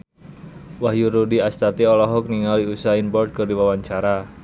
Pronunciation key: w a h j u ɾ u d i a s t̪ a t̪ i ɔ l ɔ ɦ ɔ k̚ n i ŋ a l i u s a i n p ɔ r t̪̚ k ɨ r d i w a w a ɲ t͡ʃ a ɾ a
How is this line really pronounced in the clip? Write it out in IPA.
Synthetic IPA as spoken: w a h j u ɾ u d i a s t̪ a t̪ i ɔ l ɔ ɦ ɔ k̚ n i ŋ a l i u s a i n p ɔ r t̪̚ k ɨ r d i w a w a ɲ t͡ʃ a ɾ a